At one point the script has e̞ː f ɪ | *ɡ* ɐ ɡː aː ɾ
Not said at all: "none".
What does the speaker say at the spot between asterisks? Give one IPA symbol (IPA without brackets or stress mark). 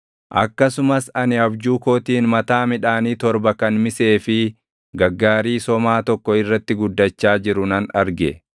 ɡ